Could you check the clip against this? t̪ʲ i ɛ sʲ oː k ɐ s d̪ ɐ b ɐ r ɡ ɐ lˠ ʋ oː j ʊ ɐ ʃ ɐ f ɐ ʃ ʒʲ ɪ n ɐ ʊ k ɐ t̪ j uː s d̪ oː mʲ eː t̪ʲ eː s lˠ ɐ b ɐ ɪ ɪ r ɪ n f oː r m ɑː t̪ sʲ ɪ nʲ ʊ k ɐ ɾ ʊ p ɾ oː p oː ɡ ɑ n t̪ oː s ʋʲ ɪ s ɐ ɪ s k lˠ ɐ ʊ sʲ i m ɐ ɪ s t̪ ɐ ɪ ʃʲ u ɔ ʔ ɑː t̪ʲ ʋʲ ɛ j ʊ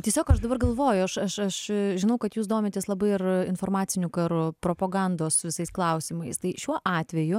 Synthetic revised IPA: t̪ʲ i ɛ sʲ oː k ɐ ʃ d̪ ɐ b ɐ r ɡ ɐ lˠ ʋ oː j ʊ ɐ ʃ ɐ ʃ ɐ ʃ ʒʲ ɪ n ɐ ʊ k ɐ t̪ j uː s d̪ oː mʲ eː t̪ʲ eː s lˠ ɐ b ɐ ɪ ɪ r ɪ n f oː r m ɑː t̪ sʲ ɪ nʲ ʊ k ɐ ɾ ʊ p ɾ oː p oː ɡ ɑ n d̪ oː s ʋʲ ɪ s ɐ ɪ s k lˠ ɐ ʊ sʲ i m ɐ ɪ s t̪ ɐ ɪ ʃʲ u ɔ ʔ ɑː t̪ʲ ʋʲ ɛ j ʊ